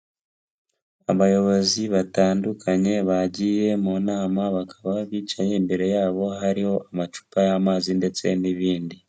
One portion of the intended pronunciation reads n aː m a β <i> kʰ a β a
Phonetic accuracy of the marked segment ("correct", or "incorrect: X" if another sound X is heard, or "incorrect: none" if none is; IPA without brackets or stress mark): incorrect: a